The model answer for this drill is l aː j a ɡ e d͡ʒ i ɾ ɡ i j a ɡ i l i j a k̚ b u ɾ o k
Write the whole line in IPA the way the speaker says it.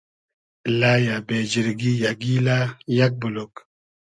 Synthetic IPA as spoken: l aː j a b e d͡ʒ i ɾ ɡ i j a ɡ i l a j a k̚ b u l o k

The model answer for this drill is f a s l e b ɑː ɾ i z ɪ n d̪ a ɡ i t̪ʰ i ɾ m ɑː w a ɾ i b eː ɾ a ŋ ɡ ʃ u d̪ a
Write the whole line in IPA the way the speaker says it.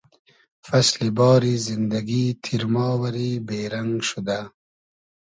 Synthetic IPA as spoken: f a s l i b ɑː ɾ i z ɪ n d̪ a ɡ i t̪ʰ i ɾ m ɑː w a ɾ i b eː ɾ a ŋ ɡ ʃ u d̪ a

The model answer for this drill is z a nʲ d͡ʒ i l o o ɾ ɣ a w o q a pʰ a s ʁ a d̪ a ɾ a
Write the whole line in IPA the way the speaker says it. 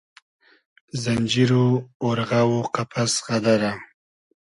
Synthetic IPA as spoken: z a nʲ d͡ʒ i ɾ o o ɾ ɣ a w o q a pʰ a s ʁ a d̪ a ɾ a

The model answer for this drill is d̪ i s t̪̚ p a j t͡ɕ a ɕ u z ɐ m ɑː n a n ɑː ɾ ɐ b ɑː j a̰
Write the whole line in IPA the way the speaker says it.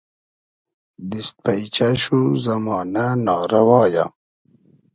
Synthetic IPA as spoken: d̪ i s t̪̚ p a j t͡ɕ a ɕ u z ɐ m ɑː n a n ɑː ɾ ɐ w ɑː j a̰

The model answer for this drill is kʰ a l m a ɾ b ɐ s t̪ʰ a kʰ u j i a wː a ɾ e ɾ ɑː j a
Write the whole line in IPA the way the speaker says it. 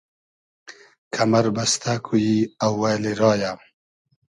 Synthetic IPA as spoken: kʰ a m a ɾ b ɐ s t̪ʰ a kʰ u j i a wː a l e ɾ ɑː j a

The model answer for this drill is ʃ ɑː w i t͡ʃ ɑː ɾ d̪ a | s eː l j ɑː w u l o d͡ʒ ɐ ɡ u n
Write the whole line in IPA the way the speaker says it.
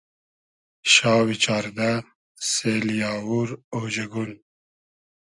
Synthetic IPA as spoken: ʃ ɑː w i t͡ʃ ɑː ɾ d̪ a | s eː l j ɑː w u ɾ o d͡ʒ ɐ ɡ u n

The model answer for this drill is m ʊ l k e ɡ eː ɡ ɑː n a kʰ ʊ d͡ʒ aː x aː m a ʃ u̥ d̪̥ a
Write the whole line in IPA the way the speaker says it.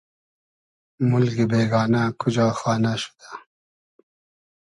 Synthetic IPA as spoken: m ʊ l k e b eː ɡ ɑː n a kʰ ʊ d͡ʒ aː x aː n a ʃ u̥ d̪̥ a

